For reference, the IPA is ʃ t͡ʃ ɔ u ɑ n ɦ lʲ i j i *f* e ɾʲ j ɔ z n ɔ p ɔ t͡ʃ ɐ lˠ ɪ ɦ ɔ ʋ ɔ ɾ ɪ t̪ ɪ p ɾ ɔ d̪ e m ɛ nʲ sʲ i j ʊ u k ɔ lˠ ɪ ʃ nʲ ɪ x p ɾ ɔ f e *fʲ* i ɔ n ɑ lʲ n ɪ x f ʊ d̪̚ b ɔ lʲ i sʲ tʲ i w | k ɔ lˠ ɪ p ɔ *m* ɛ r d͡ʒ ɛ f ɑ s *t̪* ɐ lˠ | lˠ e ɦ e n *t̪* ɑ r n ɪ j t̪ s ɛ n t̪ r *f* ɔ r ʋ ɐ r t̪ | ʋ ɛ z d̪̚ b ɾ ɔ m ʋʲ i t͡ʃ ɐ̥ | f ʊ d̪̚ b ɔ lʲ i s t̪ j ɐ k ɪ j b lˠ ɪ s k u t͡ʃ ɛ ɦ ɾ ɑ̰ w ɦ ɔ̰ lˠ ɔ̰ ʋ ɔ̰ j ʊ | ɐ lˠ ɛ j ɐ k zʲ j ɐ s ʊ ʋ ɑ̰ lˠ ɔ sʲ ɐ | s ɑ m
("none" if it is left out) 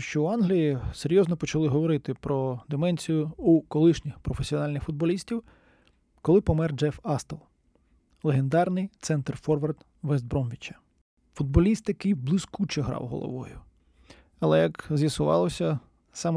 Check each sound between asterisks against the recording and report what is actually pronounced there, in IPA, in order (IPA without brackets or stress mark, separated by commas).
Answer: s, sʲ, m, t̪, d̪, f